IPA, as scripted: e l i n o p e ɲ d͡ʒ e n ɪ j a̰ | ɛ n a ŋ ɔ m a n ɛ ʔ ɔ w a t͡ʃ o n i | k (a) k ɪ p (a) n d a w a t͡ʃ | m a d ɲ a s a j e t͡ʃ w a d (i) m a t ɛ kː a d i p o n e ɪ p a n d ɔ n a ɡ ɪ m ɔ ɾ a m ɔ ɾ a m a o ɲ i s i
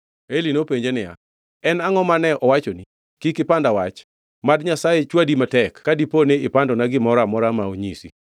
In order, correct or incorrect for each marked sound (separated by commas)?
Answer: incorrect, correct, correct